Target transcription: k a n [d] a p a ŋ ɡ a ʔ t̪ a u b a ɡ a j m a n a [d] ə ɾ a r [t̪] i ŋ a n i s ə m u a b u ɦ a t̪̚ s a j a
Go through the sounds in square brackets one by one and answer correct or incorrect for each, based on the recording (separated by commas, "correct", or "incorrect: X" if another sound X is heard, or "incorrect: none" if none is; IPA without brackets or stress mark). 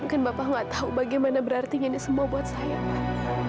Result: incorrect: b, incorrect: b, correct